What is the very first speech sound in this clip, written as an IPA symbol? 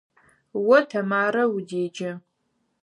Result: w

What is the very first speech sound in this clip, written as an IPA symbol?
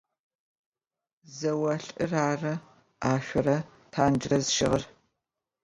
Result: z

